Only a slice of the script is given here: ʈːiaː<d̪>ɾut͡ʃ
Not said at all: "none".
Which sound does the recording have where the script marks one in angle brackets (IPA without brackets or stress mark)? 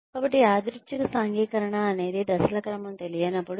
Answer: d̪